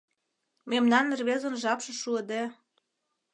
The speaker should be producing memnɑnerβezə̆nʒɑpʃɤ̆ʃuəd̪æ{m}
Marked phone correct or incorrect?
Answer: incorrect: none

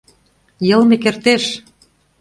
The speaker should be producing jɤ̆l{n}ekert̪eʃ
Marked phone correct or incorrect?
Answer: incorrect: m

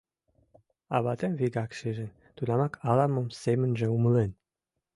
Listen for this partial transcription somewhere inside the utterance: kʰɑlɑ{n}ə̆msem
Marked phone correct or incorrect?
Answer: incorrect: m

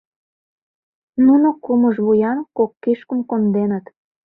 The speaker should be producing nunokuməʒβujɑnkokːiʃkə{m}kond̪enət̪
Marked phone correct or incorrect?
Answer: correct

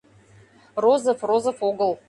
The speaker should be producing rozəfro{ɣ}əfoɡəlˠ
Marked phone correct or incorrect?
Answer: incorrect: z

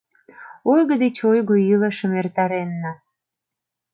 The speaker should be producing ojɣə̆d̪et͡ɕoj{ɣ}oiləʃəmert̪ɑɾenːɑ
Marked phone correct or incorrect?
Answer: correct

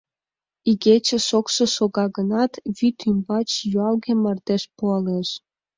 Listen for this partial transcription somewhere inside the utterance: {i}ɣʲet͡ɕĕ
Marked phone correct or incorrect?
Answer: correct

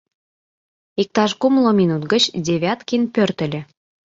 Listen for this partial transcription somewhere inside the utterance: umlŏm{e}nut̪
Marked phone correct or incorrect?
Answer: incorrect: i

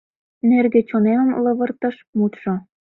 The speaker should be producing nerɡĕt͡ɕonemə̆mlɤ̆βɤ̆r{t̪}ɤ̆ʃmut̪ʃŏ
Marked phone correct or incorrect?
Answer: correct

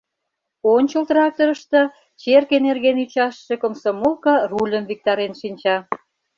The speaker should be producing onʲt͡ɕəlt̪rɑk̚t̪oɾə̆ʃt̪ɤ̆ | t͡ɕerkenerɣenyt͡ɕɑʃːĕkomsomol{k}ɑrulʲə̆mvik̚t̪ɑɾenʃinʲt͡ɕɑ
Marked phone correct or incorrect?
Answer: correct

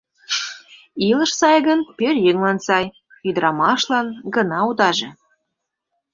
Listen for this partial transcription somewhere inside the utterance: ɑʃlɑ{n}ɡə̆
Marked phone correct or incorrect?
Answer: correct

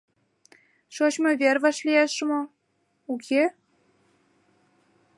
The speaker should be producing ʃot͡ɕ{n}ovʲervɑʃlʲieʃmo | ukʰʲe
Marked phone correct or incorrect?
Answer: incorrect: m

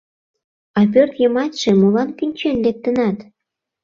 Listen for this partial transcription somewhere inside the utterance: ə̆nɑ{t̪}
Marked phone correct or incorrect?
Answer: correct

